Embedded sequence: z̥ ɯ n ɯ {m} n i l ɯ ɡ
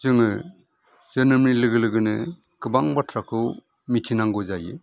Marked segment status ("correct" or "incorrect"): correct